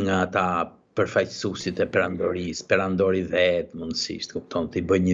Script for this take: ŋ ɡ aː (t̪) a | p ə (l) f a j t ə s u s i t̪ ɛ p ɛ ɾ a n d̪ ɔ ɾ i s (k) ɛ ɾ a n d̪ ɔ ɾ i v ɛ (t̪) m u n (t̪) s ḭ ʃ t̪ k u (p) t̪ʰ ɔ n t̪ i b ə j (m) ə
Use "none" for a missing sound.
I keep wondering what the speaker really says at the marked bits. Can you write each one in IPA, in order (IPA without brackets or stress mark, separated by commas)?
t̪, ɾ, p, t̪, d̪, p, ɲ